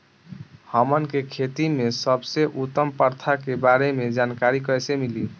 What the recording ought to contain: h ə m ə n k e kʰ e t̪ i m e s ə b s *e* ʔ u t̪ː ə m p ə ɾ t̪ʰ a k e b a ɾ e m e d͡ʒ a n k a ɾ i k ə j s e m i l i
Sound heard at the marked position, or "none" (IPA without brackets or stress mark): e